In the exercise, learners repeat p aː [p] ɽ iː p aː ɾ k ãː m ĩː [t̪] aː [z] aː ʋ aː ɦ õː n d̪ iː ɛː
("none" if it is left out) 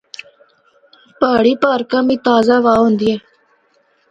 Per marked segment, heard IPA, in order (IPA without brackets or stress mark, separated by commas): none, t̪, z